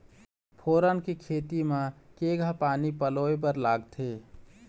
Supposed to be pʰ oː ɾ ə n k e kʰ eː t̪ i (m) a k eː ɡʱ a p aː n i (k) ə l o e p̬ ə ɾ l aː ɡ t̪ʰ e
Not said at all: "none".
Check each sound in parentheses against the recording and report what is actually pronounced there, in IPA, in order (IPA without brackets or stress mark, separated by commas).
m, p